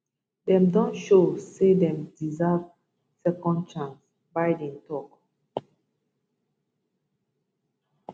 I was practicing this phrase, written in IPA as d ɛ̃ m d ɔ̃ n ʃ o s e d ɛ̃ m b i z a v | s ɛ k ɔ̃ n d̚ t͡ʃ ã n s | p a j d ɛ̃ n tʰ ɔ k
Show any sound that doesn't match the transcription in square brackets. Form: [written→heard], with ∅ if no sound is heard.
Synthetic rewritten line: d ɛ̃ m d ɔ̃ n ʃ o s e d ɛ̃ m [b→d] i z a v | s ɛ k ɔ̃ n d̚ t͡ʃ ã n s | [p→b] a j d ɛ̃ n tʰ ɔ k